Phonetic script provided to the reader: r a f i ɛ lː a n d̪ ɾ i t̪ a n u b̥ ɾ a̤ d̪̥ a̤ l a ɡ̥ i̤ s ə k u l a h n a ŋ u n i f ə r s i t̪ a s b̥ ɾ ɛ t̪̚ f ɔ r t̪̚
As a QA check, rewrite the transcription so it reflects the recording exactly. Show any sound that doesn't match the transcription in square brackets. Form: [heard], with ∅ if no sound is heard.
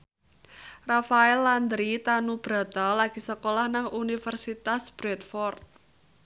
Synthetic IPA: r a f [a] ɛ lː a n d̪ ɾ i t̪ a n u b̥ ɾ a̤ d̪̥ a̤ l a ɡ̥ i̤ s ə k [o] l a h n a ŋ u n i f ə r s i t̪ a s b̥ ɾ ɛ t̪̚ f ɔ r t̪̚